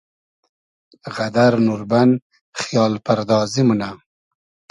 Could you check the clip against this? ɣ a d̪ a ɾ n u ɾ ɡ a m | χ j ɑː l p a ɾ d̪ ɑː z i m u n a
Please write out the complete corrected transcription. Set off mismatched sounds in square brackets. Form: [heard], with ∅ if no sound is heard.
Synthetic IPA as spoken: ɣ a d̪ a ɾ n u ɾ [b] a [n] | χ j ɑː l p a ɾ d̪ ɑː z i m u n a

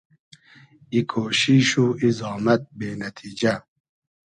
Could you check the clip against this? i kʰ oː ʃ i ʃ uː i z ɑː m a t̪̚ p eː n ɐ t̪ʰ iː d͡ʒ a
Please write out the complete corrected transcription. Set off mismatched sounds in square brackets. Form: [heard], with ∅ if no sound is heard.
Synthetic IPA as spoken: i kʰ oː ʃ i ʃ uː i z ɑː m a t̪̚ [b] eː n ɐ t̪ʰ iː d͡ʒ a

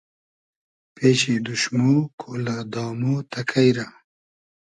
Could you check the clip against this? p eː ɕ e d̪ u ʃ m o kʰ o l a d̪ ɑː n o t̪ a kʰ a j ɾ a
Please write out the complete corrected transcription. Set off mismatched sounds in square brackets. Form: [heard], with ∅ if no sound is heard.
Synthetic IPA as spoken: p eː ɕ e d̪ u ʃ m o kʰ o l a d̪ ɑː [m] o t̪ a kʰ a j ɾ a

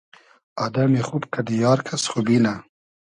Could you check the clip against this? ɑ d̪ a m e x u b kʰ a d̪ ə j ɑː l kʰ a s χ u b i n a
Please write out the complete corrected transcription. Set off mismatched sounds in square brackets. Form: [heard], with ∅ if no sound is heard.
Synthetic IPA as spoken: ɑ d̪ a m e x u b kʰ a d̪ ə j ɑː [ɾ] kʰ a s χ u b i n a

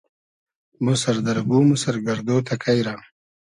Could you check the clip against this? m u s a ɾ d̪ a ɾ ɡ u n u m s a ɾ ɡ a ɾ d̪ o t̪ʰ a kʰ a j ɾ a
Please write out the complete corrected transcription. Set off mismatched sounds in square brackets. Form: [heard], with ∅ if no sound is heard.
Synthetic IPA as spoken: m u s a ɾ d̪ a ɾ ɡ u [m] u [∅] s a ɾ ɡ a ɾ d̪ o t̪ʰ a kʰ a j ɾ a

